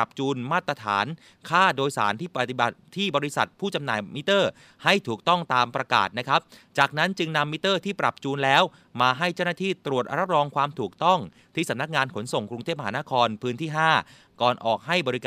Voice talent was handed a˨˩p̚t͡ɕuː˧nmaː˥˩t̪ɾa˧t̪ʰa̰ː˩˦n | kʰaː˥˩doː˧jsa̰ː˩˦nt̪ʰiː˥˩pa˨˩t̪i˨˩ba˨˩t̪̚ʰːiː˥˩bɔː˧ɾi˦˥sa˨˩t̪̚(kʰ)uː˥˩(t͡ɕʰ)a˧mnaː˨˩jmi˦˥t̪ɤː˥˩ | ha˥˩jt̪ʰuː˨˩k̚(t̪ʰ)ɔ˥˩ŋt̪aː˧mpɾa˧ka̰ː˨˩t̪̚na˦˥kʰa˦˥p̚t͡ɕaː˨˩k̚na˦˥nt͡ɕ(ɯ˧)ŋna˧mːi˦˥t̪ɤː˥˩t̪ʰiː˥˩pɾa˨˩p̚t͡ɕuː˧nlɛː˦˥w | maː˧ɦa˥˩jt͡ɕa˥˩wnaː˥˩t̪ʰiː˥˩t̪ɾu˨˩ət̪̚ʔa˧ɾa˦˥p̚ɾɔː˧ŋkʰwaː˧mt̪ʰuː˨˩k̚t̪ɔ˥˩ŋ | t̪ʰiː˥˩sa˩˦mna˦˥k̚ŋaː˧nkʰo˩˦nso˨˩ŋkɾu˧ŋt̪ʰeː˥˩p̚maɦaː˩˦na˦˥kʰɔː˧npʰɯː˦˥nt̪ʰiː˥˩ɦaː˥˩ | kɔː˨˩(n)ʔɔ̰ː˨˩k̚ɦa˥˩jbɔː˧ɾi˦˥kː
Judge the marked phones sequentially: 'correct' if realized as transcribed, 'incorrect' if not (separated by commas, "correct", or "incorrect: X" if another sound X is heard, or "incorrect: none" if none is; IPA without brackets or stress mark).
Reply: incorrect: pʰ, incorrect: t͡ɕ, incorrect: t̪, correct, correct